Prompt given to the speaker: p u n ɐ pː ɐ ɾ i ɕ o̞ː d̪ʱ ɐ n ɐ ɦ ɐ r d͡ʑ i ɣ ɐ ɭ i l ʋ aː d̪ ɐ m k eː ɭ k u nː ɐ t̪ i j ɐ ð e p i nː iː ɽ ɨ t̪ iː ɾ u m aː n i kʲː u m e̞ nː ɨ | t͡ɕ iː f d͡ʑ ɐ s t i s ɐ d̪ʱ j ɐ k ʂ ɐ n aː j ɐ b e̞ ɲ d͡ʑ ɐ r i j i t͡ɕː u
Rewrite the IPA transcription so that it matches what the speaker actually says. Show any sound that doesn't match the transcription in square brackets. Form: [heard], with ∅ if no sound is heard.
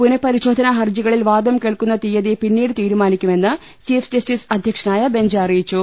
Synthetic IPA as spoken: p u n ɐ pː ɐ ɾ i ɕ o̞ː d̪ʱ ɐ n ɐ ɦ ɐ r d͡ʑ i ɣ ɐ ɭ i l ʋ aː d̪ ɐ m k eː ɭ k u nː ɐ t̪ i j ɐ ð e p i nː iː ɽ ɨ t̪ iː ɾ u m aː n i kʲː u m e̞ nː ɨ | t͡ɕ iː f d͡ʑ ɐ s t i s ɐ d̪ʱ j ɐ k ʂ ɐ n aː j ɐ b e̞ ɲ d͡ʑ ɐ r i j i t͡ɕː u